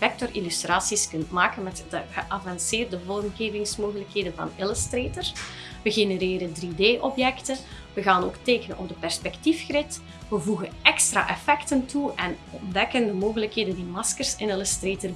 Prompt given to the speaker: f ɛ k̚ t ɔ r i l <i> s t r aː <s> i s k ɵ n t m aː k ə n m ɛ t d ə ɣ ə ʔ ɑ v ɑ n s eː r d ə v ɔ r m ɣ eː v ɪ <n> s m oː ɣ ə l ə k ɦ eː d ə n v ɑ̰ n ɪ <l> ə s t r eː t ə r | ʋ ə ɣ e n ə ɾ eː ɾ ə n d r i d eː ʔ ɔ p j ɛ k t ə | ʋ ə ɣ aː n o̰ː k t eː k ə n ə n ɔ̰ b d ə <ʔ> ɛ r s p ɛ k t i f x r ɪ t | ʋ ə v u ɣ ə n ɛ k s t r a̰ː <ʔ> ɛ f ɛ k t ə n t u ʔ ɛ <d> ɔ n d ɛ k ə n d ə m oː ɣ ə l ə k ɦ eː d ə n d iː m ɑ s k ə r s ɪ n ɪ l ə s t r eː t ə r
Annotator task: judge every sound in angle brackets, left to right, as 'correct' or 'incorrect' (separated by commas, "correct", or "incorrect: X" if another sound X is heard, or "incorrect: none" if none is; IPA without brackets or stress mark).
incorrect: y, correct, incorrect: ŋ, correct, incorrect: p, correct, incorrect: n